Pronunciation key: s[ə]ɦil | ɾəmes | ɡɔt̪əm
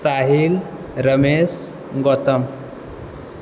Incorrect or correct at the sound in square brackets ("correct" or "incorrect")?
incorrect